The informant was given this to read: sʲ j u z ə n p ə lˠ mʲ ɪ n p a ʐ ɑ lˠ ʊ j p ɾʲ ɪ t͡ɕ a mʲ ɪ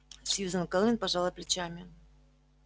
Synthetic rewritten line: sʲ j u z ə n k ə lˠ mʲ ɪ n p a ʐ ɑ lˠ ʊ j p lʲ ɪ t͡ɕ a mʲ ɪ